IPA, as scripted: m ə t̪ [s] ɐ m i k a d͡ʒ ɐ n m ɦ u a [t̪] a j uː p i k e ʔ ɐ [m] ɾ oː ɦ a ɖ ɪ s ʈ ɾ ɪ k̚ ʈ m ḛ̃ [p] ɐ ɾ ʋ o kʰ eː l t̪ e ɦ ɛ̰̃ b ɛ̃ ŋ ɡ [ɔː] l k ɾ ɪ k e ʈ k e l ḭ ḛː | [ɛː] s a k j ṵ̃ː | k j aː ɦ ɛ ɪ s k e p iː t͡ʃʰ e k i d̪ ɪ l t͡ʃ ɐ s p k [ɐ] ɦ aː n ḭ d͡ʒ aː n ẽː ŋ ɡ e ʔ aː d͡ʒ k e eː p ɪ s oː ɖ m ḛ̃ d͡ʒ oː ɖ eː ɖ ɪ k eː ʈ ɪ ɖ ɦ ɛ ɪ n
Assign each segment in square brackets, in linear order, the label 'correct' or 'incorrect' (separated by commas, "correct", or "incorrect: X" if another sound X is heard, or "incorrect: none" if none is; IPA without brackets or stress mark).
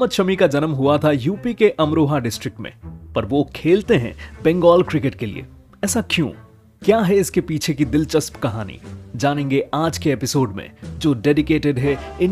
incorrect: ʃ, incorrect: t̪ʰ, correct, correct, correct, correct, correct